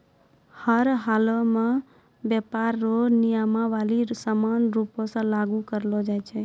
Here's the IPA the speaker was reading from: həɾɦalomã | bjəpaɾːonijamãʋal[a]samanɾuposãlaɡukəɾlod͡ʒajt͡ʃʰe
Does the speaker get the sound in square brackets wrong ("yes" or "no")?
yes